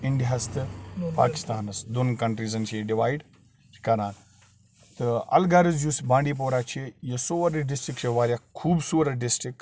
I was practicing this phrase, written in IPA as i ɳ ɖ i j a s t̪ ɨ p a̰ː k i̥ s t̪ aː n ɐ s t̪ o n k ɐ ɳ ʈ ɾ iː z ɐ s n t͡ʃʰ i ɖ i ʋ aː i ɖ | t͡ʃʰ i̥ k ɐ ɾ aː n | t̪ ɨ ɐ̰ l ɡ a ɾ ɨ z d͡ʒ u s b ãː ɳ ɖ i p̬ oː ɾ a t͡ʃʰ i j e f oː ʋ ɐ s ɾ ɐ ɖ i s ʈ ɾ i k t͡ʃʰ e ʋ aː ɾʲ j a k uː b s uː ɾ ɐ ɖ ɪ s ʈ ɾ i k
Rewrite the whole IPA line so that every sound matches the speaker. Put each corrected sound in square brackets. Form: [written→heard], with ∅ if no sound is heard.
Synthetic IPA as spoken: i ɳ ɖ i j a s t̪ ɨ p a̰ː k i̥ s t̪ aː n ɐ s [t̪→d̪] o n k ɐ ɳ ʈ ɾ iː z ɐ [s→∅] n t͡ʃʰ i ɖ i ʋ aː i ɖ | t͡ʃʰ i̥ k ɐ ɾ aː n | t̪ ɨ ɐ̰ l ɡ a ɾ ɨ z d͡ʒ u s b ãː ɳ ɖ i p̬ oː ɾ a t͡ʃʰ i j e [f→s] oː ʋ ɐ [s→∅] ɾ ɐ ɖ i s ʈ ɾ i k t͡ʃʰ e ʋ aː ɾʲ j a [k→kʰ] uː b s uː ɾ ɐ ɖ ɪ s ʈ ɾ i k